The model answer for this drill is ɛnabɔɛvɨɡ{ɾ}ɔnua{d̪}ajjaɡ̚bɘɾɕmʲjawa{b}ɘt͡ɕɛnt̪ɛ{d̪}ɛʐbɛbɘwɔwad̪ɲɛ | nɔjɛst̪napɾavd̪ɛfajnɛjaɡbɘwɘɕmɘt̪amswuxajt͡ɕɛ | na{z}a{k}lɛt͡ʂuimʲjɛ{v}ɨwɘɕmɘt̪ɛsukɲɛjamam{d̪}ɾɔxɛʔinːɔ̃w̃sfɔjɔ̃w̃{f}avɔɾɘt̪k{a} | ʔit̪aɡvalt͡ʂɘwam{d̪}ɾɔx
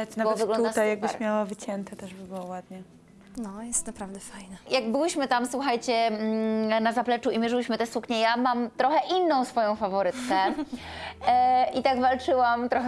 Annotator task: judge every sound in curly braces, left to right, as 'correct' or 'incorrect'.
incorrect: l, incorrect: t̪, incorrect: v, incorrect: t̪, correct, incorrect: p, incorrect: ʐ, incorrect: t̪, correct, incorrect: ɛ, incorrect: t̪

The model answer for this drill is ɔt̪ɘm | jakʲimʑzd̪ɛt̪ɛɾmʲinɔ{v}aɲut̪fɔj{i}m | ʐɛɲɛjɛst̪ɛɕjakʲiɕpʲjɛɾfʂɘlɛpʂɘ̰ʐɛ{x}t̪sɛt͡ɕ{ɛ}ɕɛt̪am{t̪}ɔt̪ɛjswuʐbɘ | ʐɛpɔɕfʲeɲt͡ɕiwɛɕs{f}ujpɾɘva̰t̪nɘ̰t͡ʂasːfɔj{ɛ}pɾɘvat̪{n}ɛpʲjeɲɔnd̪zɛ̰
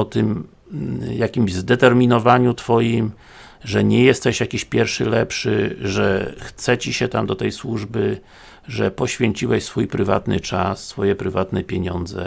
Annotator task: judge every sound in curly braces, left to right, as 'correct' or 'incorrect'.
correct, correct, correct, incorrect: i, incorrect: d̪, correct, correct, correct

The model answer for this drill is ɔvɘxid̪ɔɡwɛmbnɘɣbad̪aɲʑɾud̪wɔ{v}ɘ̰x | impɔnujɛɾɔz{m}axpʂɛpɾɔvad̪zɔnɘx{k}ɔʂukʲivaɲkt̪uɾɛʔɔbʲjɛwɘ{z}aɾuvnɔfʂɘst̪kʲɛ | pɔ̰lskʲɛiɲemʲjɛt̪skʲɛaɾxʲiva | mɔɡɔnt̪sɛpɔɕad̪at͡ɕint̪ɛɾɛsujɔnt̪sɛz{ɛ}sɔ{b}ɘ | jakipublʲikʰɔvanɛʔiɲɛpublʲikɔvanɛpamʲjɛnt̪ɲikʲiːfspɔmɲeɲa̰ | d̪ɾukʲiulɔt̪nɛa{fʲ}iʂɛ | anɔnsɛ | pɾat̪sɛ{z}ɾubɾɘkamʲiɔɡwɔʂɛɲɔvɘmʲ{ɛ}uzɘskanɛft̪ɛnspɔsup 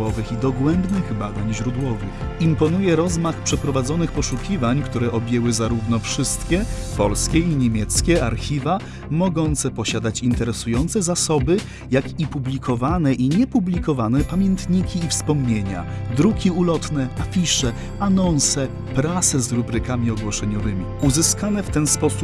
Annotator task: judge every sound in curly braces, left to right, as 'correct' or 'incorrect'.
correct, correct, incorrect: p, correct, incorrect: a, correct, correct, correct, incorrect: i

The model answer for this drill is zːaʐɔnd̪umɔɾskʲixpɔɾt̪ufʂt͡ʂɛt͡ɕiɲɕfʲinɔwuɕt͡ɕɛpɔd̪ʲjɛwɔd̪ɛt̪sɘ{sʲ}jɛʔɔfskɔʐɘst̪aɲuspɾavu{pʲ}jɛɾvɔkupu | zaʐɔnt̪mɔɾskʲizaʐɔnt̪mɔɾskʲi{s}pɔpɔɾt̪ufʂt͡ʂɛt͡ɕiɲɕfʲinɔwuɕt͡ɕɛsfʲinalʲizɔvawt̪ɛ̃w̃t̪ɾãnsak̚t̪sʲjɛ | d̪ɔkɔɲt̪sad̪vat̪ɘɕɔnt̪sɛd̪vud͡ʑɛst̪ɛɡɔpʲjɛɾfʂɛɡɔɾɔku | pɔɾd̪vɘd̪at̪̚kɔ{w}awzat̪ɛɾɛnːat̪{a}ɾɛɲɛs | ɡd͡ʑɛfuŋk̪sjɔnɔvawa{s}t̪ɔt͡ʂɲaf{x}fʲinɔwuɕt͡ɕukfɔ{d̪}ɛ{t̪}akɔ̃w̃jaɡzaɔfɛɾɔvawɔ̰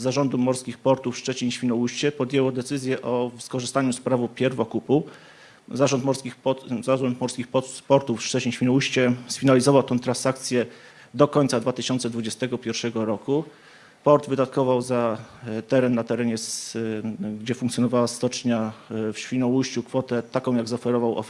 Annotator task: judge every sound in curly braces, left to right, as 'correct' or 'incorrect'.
incorrect: zʲ, correct, incorrect: x, incorrect: v, incorrect: ɛ, correct, incorrect: ɕ, incorrect: t̪, correct

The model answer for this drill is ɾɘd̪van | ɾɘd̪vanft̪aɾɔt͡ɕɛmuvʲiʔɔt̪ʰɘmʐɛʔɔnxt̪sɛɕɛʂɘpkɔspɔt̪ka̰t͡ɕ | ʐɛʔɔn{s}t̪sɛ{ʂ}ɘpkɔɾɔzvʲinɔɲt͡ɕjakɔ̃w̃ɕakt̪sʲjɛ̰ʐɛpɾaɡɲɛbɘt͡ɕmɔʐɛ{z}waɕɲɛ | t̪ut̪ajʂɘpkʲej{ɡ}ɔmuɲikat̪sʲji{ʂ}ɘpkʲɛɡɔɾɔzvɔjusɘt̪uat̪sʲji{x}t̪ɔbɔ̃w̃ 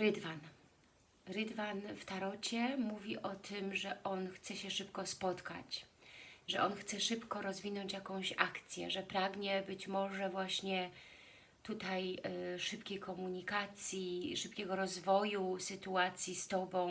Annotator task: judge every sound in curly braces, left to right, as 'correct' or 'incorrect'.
incorrect: x, correct, incorrect: v, incorrect: k, correct, incorrect: s

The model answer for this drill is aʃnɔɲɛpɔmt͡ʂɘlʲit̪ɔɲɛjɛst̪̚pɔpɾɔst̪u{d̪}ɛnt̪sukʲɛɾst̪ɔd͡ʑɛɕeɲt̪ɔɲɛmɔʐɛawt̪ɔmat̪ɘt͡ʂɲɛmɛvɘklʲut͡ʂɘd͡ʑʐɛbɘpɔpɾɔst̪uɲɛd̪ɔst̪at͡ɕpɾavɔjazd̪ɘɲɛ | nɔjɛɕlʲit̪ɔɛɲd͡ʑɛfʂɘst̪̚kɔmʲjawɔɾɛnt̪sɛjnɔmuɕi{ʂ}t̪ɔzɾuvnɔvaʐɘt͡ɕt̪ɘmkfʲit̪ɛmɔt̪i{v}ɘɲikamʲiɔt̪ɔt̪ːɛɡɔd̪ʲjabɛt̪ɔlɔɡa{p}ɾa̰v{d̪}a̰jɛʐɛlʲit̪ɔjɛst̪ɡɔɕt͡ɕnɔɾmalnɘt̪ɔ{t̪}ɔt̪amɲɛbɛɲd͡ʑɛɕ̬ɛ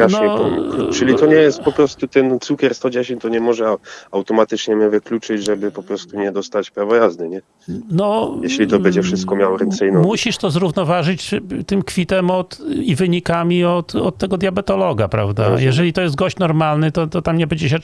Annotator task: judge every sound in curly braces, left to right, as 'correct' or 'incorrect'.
incorrect: t̪, correct, correct, correct, correct, correct

